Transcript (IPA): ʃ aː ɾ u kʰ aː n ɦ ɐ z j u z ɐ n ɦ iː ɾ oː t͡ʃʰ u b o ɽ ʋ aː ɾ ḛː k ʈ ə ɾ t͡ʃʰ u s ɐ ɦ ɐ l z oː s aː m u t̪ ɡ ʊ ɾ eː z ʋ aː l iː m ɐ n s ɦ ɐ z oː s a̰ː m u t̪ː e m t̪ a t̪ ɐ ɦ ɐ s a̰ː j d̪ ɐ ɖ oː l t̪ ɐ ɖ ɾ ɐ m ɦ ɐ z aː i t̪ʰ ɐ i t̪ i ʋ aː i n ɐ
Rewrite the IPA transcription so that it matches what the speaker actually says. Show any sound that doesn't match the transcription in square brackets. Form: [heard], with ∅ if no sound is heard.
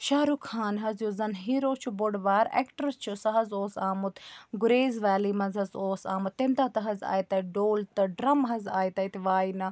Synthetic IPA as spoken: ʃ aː ɾ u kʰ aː n ɦ ɐ z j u z ɐ n ɦ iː ɾ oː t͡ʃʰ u b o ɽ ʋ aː ɾ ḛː k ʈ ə ɾ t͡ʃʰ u s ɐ ɦ ɐ [∅] z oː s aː m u t̪ ɡ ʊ ɾ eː z ʋ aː l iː m ɐ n [z] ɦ ɐ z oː s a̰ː m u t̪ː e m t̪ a t̪ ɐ ɦ ɐ [z] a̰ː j [t̪] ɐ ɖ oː l t̪ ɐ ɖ ɾ ɐ m ɦ ɐ z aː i [t̪] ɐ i t̪ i ʋ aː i n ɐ